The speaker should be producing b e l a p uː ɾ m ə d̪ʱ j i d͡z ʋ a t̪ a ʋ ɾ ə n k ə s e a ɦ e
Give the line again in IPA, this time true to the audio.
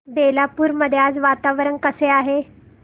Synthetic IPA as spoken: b e l a p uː ɾ m ə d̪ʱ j a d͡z ʋ a t̪ a ʋ ɾ ə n k ə s e a ɦ e